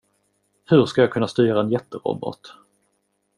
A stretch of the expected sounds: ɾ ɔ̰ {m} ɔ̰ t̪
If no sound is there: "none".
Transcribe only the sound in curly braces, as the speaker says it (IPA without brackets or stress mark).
b